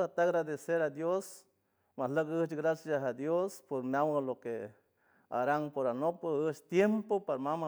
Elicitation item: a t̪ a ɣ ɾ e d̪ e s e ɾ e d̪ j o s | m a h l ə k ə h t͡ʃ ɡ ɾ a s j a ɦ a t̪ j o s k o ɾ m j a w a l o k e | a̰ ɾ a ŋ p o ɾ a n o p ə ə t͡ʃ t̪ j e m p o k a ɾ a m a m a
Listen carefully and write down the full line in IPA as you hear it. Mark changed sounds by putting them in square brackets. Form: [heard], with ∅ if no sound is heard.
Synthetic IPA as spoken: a t̪ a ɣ ɾ [a] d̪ e s e ɾ [a] d̪ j o s | m a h l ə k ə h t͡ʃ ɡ ɾ a s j a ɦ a [d̪] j o s [p] o ɾ m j a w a l o k e | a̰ ɾ a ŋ p o ɾ a n o p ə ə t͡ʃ t̪ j e m p o [p] a ɾ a m a m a